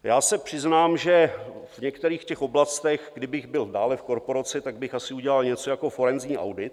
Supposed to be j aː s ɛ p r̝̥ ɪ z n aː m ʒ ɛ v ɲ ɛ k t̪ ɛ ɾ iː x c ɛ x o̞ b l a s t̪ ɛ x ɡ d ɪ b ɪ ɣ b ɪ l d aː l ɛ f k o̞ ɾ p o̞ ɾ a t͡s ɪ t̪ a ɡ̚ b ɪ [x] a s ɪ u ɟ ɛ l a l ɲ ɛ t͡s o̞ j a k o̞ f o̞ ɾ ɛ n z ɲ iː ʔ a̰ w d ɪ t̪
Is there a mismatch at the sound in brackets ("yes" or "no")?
no